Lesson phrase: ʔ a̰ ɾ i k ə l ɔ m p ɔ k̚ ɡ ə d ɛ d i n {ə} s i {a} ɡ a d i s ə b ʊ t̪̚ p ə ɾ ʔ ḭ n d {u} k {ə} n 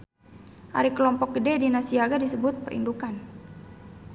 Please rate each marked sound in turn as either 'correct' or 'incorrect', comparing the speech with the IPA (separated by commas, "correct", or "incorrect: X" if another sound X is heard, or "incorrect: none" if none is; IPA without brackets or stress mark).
incorrect: a, correct, correct, incorrect: a